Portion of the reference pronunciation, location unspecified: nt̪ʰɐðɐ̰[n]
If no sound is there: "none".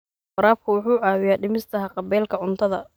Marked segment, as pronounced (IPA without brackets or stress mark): none